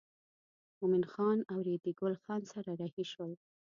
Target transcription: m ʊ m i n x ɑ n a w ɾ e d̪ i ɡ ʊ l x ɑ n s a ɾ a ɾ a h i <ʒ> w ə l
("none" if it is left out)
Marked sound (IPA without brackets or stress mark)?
ʃ